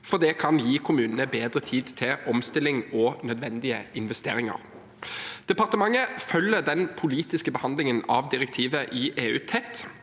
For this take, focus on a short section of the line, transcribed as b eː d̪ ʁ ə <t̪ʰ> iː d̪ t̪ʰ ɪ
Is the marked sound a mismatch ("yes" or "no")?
no